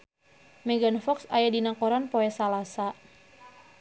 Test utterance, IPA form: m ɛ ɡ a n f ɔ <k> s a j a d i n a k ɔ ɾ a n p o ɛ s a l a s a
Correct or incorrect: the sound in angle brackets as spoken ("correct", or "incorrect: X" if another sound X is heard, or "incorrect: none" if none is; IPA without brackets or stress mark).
correct